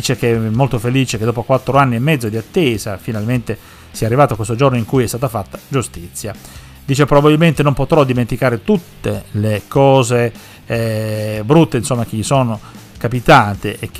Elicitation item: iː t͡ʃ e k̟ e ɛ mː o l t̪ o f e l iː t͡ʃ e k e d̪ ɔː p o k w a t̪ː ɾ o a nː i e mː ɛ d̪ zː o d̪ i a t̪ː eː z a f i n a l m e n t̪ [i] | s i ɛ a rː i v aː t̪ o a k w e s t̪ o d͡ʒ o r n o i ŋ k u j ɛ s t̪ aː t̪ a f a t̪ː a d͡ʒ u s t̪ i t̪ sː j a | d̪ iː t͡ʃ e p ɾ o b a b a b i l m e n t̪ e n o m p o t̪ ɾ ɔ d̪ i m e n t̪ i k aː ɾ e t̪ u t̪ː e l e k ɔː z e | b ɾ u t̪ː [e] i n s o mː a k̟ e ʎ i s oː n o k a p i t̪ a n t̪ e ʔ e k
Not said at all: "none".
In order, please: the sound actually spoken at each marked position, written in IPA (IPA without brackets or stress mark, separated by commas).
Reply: e, e